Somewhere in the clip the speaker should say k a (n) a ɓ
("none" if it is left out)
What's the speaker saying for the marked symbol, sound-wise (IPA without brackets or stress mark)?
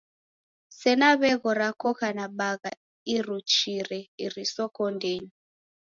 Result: n